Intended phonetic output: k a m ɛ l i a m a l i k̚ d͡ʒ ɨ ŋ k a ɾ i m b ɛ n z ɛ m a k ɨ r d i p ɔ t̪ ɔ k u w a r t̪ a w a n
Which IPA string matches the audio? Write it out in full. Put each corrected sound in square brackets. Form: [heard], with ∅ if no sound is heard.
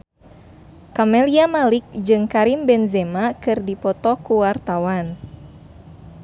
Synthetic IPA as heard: k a m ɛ l i a m a l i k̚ d͡ʒ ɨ ŋ k a ɾ i m b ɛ n z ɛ m a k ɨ r d i p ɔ t̪ ɔ k u w a r t̪ a w a n